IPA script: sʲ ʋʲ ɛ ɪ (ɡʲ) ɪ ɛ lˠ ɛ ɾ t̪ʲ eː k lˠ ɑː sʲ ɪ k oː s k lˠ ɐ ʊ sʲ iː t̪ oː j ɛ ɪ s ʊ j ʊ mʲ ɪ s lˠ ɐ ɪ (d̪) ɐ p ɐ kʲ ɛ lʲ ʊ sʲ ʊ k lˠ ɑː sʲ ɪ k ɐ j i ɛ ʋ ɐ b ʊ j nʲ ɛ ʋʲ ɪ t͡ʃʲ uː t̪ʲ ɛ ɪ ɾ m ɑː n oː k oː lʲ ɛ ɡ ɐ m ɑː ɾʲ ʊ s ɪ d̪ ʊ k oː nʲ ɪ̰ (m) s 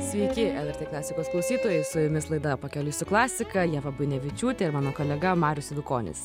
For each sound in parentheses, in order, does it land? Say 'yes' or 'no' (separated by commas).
no, yes, no